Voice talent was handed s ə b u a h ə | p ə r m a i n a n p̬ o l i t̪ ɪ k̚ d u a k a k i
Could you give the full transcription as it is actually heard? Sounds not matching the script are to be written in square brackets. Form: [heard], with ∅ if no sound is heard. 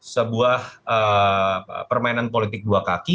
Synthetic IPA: s ə b u a h ə | p ə r m a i n a n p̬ o l i t̪ ɪ k̚ d u a k a k i